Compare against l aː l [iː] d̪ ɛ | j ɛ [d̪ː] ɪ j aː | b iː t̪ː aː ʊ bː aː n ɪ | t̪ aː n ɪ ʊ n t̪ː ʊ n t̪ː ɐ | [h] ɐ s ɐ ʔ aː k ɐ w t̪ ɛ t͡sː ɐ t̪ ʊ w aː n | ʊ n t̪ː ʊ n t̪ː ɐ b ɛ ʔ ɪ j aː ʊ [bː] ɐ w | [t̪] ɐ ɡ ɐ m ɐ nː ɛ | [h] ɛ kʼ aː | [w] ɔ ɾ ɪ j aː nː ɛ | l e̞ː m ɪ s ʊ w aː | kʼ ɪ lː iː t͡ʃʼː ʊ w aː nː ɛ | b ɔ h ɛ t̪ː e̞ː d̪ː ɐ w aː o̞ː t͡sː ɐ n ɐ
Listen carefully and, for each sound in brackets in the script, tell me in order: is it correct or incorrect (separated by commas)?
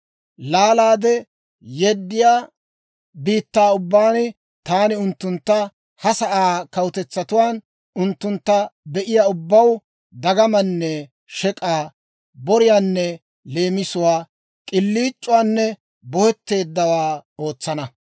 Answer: incorrect, correct, correct, correct, incorrect, incorrect, incorrect